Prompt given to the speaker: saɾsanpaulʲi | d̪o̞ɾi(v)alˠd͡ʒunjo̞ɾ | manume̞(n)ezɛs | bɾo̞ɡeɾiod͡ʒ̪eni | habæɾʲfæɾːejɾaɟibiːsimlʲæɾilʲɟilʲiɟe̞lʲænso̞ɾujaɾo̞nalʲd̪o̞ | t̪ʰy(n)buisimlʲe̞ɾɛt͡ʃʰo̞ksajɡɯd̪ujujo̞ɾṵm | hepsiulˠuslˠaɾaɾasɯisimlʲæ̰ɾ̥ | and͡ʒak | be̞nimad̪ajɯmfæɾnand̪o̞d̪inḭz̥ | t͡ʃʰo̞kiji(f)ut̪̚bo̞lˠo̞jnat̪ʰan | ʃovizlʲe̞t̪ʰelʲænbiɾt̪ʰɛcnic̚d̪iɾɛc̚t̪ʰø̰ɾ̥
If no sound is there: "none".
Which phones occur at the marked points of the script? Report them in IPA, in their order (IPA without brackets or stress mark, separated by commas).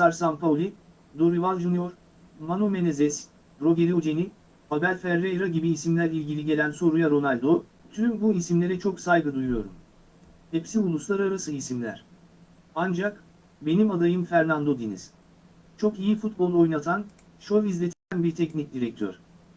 v, n, m, f